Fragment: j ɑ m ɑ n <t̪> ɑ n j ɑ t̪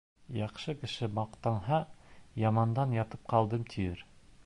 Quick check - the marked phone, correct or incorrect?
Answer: incorrect